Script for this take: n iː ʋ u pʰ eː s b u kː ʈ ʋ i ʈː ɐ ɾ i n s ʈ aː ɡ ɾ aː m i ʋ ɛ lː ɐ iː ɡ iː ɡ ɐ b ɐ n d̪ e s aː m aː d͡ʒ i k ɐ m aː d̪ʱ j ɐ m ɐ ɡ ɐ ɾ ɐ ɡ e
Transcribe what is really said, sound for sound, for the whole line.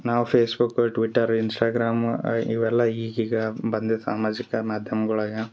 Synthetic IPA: n aː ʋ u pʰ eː s b u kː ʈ ʋ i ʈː ɐ ɾ i n s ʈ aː ɡ ɾ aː m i ʋ ɛ lː ɐ iː ɡ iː ɡ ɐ b ɐ n d̪ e s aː m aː d͡ʒ i k ɐ m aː d̪ʱ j ɐ m ɐ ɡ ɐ ɭ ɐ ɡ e